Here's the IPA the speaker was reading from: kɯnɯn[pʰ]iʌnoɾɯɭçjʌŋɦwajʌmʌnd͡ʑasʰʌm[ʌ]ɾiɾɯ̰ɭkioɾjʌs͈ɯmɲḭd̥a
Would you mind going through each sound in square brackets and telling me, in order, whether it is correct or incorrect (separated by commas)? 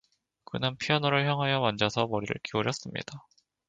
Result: correct, correct